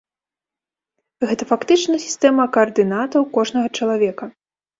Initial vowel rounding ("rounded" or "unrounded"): unrounded